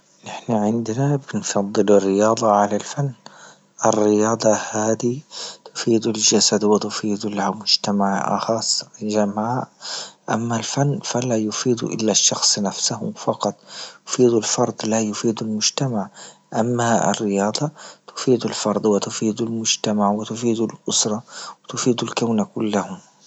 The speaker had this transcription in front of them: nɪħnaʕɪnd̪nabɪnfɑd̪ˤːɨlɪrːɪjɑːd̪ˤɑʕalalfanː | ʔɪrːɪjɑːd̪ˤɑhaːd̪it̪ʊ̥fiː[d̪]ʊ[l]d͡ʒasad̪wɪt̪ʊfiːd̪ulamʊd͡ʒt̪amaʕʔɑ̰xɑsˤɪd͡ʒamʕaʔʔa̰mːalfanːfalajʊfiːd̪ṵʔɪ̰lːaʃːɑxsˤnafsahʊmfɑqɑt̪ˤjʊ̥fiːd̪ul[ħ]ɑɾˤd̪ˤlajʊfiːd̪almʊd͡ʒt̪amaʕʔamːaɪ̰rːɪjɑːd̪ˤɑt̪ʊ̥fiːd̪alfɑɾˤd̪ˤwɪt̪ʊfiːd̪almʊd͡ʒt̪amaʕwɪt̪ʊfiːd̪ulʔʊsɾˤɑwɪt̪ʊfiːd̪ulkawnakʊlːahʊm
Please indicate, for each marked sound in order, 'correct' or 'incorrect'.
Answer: correct, correct, incorrect

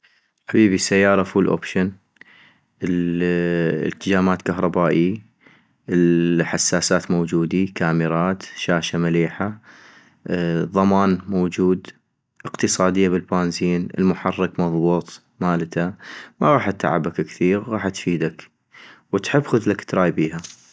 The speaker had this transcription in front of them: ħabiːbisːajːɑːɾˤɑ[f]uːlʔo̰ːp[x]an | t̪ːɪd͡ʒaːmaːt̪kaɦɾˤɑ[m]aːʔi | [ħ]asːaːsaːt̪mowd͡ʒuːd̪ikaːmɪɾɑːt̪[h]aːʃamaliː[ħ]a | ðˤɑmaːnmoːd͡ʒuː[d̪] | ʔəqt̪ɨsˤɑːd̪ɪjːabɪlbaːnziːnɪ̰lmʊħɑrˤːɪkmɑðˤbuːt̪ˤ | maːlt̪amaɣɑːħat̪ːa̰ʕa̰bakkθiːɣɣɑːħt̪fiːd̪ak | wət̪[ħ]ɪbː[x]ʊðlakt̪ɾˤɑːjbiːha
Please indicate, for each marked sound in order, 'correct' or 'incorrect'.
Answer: correct, incorrect, incorrect, correct, incorrect, correct, correct, correct, correct

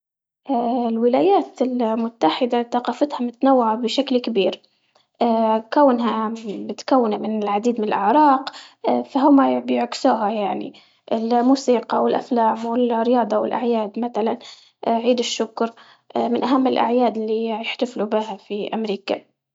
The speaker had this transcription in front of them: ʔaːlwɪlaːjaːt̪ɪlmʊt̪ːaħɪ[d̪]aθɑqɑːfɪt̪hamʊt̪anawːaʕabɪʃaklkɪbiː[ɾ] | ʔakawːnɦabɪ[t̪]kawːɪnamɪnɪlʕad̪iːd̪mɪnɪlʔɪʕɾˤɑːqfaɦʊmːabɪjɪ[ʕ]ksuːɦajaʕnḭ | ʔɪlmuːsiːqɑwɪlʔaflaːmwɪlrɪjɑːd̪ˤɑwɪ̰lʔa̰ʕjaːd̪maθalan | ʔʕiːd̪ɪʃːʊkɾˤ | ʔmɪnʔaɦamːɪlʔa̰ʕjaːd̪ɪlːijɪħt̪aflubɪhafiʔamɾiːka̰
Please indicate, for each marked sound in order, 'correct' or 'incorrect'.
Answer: correct, correct, correct, correct

